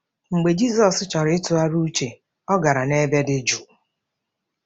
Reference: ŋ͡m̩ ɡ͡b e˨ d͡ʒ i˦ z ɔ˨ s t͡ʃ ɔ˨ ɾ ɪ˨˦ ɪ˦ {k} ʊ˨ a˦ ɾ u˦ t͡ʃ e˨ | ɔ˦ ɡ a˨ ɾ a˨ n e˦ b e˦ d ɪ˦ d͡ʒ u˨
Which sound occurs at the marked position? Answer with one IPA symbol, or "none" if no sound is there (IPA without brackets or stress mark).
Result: t